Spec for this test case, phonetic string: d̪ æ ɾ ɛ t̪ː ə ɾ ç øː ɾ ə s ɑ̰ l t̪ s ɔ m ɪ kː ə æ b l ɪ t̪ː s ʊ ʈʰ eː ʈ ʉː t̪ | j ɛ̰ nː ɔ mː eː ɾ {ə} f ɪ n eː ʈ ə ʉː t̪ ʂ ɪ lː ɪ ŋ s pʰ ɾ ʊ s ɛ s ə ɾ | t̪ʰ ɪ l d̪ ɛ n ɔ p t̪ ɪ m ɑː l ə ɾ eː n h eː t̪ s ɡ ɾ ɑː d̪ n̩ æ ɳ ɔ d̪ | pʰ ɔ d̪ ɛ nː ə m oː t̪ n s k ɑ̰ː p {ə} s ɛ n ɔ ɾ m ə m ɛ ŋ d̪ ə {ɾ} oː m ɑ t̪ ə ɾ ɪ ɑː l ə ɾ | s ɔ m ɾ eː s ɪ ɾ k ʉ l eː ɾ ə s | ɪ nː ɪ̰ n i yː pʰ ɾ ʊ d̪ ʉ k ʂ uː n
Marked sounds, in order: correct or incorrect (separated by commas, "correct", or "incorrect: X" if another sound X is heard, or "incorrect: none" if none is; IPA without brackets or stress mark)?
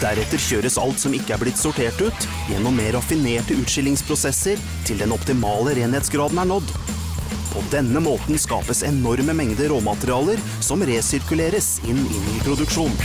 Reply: incorrect: ɑ, correct, correct